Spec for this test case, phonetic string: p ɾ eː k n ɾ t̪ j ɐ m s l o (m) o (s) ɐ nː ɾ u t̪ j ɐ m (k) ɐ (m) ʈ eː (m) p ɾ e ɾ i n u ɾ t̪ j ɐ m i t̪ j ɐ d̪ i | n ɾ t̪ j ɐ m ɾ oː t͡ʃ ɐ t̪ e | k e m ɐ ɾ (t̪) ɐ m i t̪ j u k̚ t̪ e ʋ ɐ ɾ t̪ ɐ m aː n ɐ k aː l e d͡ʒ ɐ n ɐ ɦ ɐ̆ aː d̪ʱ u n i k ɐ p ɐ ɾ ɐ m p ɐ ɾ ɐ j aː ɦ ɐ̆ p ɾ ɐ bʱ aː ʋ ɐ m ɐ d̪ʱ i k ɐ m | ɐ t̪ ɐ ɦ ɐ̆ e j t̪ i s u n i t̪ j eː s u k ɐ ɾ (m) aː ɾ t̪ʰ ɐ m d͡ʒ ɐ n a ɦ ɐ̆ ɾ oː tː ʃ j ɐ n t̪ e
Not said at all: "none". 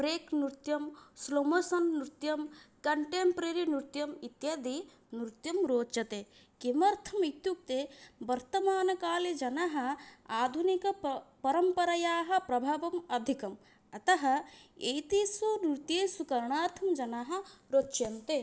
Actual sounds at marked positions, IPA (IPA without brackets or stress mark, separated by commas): m, s, k, ɳ, m, t̪ʰ, ɳ